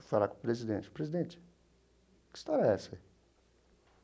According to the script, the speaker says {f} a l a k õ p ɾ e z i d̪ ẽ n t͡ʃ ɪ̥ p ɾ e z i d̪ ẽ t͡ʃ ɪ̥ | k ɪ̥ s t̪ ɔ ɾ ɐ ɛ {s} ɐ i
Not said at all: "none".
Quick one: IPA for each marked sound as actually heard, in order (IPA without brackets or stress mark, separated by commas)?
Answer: f, s